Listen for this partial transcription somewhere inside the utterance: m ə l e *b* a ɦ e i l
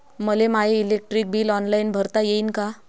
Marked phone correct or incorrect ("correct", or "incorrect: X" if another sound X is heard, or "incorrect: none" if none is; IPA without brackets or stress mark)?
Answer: incorrect: m